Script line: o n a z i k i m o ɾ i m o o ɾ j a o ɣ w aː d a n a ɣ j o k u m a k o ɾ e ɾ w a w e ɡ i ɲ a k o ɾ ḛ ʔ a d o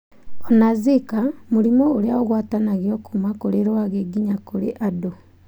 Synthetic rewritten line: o n a z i k a m u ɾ i m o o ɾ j a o ɣ w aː t a n a ɣ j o k u m a k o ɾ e ɾ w a ɣ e ɡ i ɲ a k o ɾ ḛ ʔ a d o